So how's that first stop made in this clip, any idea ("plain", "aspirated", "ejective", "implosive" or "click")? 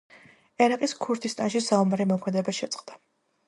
ejective